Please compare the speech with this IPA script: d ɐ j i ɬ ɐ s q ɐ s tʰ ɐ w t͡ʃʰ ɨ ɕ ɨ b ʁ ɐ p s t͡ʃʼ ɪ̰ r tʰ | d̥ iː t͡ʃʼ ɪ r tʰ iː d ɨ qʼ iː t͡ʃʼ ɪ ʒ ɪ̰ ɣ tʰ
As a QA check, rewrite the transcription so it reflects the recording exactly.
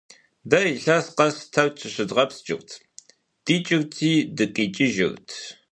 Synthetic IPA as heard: d ɐ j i ɬ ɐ s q ɐ s tʰ ɐ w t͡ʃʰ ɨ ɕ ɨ d ʁ ɐ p s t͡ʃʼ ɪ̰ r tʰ | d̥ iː t͡ʃʼ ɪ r tʰ iː d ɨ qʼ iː t͡ʃʼ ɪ ʒ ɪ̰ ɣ tʰ